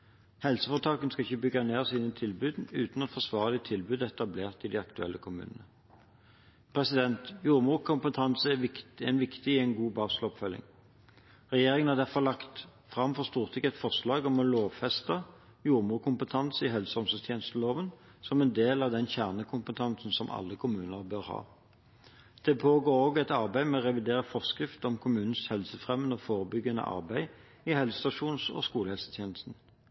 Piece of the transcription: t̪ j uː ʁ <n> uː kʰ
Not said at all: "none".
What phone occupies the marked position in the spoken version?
m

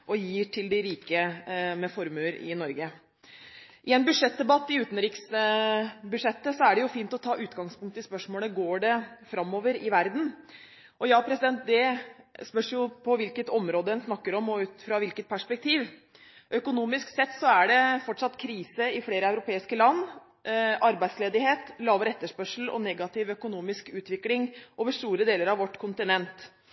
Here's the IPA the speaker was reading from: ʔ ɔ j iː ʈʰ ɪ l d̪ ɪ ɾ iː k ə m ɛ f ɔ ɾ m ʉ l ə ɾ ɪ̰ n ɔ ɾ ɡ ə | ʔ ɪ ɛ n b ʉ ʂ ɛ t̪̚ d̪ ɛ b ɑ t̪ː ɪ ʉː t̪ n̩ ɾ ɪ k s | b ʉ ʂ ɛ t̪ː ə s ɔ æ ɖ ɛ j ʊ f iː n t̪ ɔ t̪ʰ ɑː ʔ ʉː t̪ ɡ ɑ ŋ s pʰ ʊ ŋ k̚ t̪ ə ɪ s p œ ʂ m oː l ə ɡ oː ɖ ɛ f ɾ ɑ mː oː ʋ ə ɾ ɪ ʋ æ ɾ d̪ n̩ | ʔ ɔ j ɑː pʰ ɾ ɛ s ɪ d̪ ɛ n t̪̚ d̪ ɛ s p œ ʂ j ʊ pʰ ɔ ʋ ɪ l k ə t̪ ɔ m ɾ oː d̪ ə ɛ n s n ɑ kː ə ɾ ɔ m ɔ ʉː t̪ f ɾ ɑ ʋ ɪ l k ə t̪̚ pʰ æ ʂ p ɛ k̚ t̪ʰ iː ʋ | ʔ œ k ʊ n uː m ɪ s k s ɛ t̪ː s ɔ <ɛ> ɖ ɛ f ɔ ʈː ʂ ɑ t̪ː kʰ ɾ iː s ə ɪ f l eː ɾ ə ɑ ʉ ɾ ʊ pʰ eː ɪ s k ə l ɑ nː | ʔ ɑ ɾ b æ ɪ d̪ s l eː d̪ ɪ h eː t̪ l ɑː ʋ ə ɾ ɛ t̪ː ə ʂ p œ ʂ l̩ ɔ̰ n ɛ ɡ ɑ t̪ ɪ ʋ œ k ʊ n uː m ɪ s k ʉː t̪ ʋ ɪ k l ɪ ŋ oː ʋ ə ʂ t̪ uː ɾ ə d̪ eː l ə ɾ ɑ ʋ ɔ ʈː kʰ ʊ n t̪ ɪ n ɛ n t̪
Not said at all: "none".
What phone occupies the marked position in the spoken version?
æ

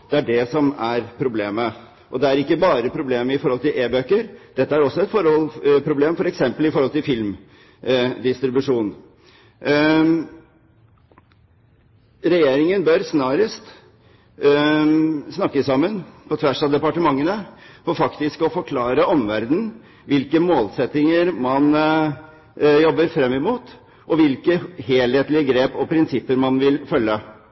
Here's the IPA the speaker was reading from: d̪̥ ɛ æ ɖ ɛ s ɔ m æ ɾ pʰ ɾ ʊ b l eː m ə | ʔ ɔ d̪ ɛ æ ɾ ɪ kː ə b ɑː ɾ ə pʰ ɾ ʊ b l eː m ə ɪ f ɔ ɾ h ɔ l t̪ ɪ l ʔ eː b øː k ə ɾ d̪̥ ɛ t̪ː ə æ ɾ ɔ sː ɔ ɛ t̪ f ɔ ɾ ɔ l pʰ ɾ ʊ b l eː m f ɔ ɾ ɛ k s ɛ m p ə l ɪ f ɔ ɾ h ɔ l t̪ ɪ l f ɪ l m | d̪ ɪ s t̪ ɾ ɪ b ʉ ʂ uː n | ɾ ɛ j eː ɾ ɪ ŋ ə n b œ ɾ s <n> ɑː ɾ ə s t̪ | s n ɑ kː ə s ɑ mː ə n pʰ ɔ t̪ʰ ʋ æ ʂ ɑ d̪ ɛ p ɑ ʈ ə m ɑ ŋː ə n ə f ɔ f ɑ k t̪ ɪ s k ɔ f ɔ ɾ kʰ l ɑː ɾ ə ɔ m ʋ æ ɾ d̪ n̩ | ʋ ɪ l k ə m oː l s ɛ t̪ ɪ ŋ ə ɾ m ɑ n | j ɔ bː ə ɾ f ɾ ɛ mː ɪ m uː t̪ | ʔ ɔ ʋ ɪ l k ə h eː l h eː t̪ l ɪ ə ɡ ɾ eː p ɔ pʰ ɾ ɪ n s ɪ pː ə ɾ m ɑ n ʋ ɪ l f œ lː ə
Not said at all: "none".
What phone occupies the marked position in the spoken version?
n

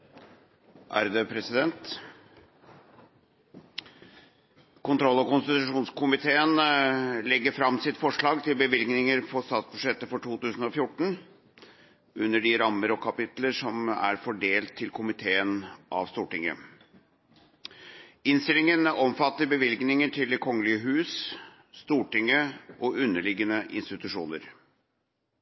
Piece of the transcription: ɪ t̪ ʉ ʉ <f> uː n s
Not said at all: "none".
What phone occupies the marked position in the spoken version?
ʂ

